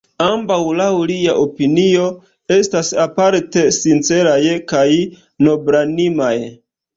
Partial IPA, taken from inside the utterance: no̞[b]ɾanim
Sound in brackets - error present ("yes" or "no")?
no